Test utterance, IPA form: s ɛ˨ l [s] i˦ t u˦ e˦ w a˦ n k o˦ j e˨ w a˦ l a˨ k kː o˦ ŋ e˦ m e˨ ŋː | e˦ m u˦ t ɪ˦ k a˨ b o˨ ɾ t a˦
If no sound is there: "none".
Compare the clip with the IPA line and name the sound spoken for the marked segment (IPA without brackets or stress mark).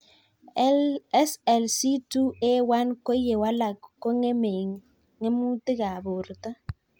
s